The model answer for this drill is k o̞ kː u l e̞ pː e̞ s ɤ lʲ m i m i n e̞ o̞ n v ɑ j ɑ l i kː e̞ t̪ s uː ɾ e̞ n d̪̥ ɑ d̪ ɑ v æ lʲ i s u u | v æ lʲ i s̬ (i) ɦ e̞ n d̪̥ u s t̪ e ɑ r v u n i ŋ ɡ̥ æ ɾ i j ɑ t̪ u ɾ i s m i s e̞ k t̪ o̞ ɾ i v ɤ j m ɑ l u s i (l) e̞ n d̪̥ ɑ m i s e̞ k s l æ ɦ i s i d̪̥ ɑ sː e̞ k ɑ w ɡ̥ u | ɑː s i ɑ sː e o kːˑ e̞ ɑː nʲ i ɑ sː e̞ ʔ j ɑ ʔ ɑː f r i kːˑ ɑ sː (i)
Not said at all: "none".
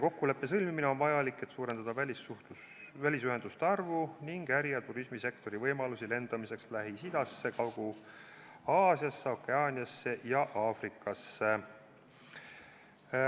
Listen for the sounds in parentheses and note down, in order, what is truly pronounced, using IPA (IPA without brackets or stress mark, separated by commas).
y, l, e